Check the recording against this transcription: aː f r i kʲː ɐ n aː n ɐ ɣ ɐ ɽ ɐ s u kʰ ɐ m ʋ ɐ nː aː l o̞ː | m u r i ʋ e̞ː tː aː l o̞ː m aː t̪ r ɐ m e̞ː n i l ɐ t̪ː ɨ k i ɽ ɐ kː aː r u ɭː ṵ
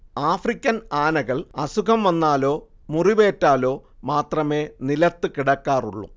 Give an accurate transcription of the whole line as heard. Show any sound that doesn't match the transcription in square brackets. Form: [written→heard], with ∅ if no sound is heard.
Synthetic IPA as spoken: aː f r i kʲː ɐ n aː n ɐ ɣ ɐ [ɽ→ɭ] ɐ s u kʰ ɐ m ʋ ɐ nː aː l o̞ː | m u r i ʋ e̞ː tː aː l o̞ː m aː t̪ r ɐ m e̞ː n i l ɐ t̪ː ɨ k i ɽ ɐ kː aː r u ɭː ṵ